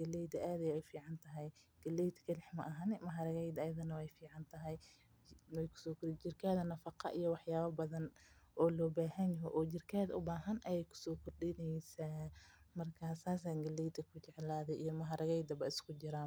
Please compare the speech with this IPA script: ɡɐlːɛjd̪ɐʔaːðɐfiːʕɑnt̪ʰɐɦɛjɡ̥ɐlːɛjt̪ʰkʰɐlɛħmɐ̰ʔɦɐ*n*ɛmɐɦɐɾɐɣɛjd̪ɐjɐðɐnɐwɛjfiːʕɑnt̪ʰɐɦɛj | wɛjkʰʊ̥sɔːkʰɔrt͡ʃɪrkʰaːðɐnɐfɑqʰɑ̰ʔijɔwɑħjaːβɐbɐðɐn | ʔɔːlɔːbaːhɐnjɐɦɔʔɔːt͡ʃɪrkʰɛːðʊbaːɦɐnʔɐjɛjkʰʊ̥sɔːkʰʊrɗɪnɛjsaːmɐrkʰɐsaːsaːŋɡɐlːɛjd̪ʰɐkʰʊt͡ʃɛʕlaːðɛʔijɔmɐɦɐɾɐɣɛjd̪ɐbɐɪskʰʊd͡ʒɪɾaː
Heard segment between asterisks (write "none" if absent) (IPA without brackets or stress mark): n